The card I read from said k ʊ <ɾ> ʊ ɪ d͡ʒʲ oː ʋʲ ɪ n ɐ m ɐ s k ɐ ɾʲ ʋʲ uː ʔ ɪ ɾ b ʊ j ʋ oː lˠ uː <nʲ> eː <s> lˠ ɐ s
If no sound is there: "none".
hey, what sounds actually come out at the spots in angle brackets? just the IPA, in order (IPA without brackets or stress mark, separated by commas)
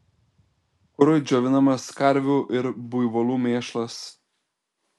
ɾ, mʲ, ʃ